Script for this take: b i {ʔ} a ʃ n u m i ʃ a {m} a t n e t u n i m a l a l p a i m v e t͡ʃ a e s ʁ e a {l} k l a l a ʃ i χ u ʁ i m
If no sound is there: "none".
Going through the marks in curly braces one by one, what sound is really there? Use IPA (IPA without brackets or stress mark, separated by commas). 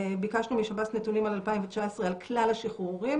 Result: k, b, l